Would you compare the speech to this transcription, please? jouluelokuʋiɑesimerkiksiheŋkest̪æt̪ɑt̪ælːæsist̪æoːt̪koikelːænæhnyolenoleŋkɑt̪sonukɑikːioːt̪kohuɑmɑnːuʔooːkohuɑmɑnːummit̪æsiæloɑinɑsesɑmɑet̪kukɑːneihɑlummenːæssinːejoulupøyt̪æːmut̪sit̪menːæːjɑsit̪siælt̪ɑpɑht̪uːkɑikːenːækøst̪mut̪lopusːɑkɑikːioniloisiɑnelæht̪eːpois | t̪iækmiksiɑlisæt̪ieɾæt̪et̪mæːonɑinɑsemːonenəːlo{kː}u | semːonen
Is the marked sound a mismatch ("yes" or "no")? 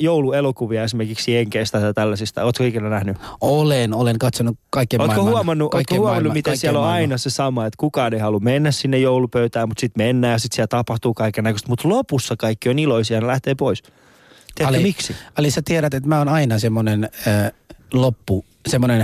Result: yes